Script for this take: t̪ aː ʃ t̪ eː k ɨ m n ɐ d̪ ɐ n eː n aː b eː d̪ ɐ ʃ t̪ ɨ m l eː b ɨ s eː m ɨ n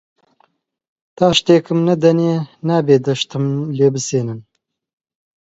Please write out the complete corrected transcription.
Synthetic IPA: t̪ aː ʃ t̪ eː k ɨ m n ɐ d̪ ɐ n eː n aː b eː d̪ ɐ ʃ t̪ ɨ m l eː b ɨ s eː n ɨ n